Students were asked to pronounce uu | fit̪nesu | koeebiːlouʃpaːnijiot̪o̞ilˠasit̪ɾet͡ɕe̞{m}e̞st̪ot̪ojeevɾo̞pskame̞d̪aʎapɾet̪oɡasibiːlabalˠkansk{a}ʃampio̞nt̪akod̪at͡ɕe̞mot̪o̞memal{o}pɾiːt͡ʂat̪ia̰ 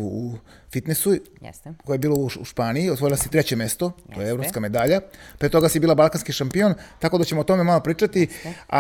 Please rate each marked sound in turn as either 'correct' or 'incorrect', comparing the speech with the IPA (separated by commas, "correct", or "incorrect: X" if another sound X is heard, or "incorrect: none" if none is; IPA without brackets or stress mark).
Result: correct, incorrect: i, correct